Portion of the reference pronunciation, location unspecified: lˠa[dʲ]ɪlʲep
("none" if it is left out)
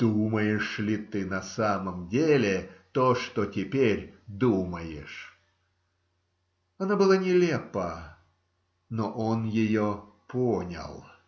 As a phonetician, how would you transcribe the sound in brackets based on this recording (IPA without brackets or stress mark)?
nʲ